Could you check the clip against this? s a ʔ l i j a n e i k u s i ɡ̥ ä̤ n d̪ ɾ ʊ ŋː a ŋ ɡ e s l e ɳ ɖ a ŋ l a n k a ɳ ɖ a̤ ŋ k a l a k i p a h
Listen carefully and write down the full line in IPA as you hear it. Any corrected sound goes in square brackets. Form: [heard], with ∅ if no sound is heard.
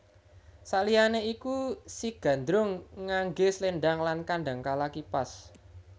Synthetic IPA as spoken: s a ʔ l i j a n e i k u s i ɡ̥ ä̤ n d̪ ɾ ʊ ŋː a ŋ ɡ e s l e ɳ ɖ a ŋ l a n k a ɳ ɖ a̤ ŋ k a l a k i p a [s]